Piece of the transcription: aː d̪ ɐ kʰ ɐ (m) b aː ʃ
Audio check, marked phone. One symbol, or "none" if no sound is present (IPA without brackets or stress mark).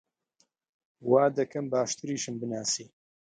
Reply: m